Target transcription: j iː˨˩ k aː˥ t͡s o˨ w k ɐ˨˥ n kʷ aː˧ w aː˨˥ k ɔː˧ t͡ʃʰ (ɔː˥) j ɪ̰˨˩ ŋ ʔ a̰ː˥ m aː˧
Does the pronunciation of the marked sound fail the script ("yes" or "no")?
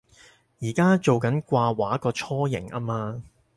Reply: no